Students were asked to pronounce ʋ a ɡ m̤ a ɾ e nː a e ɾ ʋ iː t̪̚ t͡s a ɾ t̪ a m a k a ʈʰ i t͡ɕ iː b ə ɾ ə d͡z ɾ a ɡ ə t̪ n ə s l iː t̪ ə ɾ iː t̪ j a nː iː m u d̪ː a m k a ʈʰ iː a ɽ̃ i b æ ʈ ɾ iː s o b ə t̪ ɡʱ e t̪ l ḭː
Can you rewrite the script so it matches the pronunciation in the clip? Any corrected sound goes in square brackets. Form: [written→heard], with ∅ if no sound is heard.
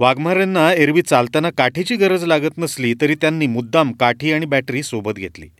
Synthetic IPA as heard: ʋ a ɡ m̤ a ɾ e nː a e ɾ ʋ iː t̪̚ t͡s a [ɾ→l] t̪ a [m→n] a k a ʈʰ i t͡ɕ iː [b→ɡ] ə ɾ ə d͡z [ɾ→l] a ɡ ə t̪ n ə s l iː t̪ ə ɾ iː t̪ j a nː iː m u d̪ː a m k a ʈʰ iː a ɽ̃ i b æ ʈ ɾ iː s o b ə t̪ ɡʱ e t̪ l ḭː